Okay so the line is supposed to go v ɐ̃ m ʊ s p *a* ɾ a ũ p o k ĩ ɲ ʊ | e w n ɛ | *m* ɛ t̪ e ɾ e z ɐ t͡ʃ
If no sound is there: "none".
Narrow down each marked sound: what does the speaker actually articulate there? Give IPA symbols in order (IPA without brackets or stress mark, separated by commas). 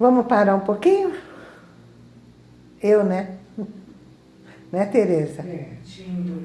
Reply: a, n